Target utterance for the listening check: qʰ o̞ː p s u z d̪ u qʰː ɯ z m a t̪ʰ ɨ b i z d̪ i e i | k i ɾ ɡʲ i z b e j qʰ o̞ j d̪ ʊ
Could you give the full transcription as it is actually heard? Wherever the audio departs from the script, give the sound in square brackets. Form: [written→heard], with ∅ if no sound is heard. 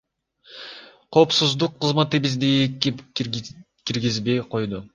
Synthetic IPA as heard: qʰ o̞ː p s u z d̪ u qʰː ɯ z m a [t̪ʰ→t̪] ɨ b i z d̪ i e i | k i ɾ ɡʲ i z b e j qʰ o̞ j d̪ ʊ